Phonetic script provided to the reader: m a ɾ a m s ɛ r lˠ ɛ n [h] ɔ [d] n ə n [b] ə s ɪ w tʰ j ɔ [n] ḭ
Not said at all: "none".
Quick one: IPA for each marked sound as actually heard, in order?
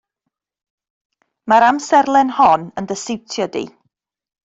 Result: h, none, d, d

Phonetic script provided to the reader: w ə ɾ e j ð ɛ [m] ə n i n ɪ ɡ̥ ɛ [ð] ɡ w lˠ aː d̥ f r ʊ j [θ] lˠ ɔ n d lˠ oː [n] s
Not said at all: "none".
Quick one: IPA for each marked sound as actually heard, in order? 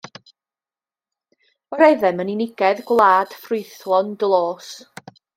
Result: m, ð, θ, none

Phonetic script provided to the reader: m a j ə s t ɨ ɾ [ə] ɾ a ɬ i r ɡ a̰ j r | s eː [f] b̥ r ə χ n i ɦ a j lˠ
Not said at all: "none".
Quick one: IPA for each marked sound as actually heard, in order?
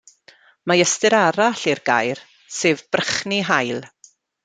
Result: a, v

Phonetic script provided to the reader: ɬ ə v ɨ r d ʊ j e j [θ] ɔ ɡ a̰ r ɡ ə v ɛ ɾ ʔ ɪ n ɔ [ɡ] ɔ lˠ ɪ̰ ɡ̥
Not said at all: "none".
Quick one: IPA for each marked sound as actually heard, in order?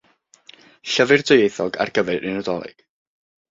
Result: θ, d

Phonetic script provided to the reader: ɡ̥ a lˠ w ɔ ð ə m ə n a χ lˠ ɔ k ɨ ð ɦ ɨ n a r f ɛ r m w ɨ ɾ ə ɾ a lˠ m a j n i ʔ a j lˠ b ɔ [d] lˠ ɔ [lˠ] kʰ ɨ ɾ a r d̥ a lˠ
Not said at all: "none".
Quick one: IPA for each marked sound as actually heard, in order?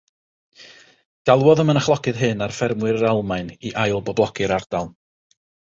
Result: b, none

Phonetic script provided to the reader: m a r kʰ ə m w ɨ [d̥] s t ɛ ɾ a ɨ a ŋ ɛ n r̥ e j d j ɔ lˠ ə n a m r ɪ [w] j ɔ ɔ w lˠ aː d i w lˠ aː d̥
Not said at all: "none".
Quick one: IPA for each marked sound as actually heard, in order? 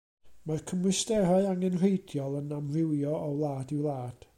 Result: none, w

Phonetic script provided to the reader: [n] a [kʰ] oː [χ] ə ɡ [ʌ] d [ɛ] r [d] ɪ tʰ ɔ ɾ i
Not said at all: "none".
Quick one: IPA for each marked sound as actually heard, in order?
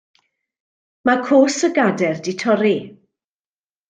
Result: m, kʰ, s, a, ɛ, d

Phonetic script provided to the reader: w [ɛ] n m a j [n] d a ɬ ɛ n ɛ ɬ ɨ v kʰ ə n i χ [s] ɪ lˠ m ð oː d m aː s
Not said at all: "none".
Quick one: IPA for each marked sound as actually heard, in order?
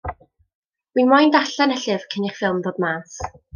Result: i, n, f

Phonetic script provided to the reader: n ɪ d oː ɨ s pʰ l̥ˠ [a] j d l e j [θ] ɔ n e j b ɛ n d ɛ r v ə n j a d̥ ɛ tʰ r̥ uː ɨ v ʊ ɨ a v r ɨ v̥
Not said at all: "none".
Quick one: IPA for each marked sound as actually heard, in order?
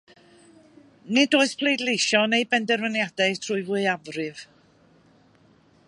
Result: e, ʃ

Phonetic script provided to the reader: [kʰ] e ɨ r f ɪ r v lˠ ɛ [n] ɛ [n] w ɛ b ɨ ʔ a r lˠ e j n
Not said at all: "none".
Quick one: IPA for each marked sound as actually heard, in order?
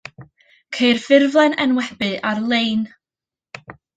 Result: kʰ, n, n

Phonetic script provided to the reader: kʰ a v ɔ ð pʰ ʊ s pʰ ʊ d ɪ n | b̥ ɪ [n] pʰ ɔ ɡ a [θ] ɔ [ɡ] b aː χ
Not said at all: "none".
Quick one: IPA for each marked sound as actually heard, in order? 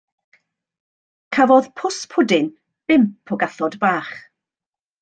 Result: m, θ, d

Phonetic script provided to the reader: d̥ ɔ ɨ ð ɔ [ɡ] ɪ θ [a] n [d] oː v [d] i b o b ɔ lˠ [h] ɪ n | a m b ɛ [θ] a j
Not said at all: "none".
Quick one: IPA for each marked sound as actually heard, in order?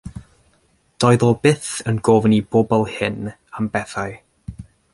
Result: b, ə, ɡ, n, h, θ

